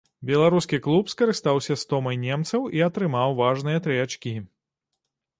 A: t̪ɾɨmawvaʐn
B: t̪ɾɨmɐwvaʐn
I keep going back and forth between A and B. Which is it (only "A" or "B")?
A